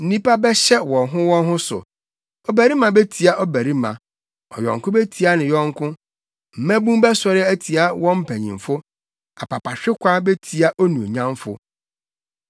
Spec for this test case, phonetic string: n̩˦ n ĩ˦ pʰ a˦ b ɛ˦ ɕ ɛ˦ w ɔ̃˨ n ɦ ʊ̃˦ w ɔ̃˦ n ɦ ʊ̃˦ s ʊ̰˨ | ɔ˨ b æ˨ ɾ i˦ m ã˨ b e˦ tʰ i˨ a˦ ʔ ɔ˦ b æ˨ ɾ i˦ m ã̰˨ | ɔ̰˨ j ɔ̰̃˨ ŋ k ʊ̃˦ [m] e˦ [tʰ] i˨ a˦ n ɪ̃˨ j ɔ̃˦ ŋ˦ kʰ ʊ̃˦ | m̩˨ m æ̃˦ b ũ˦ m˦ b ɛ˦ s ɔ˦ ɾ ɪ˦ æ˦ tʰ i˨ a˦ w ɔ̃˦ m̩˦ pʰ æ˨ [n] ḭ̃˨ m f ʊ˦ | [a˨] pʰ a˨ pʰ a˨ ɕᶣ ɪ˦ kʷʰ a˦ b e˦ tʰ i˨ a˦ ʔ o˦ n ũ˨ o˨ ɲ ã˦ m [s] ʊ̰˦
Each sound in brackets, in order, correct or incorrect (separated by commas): incorrect, correct, incorrect, correct, incorrect